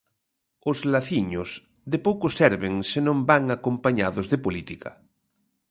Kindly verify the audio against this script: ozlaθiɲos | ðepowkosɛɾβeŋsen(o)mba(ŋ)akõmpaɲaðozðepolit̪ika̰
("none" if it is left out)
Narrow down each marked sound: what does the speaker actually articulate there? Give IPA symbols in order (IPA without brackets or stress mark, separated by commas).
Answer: õ, ŋ